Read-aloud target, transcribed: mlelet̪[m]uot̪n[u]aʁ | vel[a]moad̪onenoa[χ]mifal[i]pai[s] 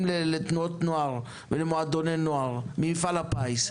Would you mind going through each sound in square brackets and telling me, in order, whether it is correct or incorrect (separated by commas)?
incorrect, incorrect, incorrect, incorrect, incorrect, correct